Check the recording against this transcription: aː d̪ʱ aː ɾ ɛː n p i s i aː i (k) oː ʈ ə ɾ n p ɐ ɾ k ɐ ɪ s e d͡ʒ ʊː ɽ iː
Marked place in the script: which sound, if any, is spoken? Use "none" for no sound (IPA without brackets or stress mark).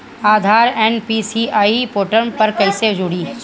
p